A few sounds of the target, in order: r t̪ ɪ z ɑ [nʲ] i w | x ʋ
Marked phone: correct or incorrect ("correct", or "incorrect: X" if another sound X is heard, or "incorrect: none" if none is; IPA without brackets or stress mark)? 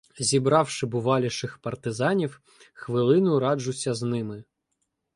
correct